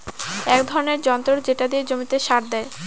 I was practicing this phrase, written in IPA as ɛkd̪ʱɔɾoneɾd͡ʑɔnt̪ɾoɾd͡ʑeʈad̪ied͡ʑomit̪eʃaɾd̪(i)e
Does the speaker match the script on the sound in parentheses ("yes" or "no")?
no